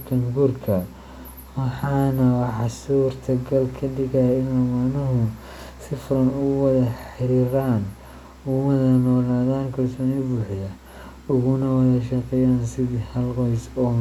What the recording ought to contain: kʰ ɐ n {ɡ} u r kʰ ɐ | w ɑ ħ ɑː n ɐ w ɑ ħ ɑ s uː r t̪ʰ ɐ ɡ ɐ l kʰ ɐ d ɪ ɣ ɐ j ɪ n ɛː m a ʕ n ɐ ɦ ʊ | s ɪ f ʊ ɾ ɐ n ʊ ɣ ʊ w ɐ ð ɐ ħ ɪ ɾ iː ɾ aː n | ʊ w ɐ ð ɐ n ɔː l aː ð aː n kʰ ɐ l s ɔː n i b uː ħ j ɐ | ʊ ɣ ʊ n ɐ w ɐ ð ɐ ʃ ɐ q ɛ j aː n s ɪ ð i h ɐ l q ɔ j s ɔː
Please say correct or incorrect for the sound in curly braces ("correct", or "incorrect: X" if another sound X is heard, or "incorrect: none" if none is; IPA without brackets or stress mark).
correct